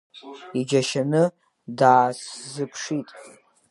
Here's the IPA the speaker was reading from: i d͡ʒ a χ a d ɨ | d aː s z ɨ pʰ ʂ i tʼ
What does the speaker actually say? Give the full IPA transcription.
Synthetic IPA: i d͡ʒ a ʃ a n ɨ | d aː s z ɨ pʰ ʂ i tʼ

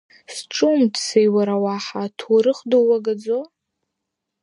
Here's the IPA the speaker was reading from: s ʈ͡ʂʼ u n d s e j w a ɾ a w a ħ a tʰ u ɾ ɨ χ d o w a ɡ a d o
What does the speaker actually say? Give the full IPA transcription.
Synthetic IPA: s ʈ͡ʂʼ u m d s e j w a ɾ a w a ħ a tʰ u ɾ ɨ χ d o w a ɡ a d͡z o

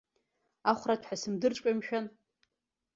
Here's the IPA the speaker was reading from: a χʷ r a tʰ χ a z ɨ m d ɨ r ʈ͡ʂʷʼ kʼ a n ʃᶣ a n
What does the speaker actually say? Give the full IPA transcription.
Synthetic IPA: a χʷ r a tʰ ħ a s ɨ m d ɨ r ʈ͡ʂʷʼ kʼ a m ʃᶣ a n

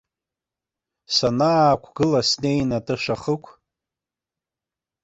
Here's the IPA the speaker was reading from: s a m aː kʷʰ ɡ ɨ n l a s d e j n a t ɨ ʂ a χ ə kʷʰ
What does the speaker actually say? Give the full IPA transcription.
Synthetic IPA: s a n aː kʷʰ ɡ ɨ l a s n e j n a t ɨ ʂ a χ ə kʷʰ

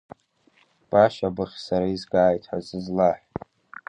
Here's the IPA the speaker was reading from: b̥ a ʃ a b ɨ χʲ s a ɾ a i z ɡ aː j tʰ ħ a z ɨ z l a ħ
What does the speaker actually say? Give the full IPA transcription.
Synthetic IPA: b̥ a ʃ a b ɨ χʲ s a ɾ a i z ɡ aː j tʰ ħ a z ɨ z l a ħ

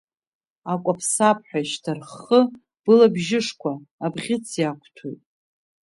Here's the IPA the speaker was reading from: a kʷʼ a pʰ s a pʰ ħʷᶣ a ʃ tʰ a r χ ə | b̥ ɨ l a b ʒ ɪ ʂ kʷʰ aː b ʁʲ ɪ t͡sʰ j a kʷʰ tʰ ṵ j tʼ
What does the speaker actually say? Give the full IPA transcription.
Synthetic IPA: a kʷʼ a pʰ s a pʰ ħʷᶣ a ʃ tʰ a r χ ə | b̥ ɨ l a b ʒ ɪ ʂ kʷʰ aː b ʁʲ ɪ t͡sʰ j a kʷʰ tʰ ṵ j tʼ

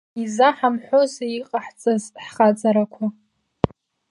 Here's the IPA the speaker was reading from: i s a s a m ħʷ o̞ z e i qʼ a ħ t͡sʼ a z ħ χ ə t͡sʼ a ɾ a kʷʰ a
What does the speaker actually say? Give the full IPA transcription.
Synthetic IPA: i z a ħ a m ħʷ o̞ z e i qʼ a ħ t͡sʼ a z ħ χ a t͡sʼ a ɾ a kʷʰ a

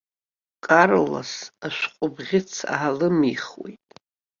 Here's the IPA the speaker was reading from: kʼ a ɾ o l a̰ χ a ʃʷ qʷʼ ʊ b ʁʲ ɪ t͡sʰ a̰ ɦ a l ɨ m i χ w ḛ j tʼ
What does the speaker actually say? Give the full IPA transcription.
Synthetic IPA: kʼ a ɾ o l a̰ s a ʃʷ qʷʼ ʊ b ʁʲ ɪ t͡sʰ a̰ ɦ a l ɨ m i χ w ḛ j tʼ

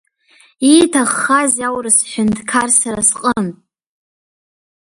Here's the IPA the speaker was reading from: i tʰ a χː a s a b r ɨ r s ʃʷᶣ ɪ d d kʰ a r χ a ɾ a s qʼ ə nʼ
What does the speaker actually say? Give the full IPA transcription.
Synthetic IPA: i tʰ a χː a z a w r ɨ s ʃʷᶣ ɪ n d kʰ a r s a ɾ a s qʼ ə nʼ

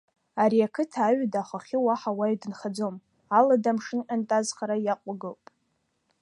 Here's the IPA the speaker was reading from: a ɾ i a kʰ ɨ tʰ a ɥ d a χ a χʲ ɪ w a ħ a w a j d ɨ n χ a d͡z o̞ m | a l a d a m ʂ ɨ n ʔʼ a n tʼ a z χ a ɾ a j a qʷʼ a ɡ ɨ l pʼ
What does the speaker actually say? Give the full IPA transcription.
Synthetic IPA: a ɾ i a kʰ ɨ tʰ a ɥ d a χ a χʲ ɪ w a ħ a w a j d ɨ n χ a d͡z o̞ m | a l a d a m ʂ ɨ n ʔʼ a n tʼ a z χ a ɾ a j a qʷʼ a ɡ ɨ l pʼ

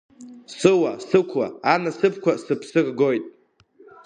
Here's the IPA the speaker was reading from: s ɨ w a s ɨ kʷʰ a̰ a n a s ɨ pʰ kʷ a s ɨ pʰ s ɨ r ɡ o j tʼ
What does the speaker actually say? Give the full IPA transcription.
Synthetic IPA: s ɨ w a s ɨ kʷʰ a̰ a n a s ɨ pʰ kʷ a s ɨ pʰ s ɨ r ɡ o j tʼ

